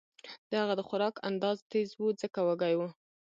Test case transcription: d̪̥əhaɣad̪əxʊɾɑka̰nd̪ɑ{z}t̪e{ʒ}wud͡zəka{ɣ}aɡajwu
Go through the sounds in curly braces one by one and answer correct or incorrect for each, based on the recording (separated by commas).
correct, incorrect, incorrect